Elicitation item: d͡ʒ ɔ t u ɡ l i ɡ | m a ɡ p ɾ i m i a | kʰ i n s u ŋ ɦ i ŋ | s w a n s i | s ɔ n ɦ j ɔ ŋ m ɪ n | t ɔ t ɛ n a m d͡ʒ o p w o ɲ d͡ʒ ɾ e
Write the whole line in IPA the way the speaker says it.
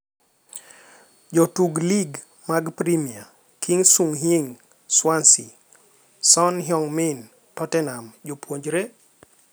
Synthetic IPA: d͡ʒ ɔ t u ɡ l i ɡ | m a ɡ p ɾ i m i a | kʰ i ŋ s u ŋ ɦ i ŋ | s w a n s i | s ɔ n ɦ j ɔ ŋ m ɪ n | t ɔ t ɛ n a m d͡ʒ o p w o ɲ d͡ʒ ɾ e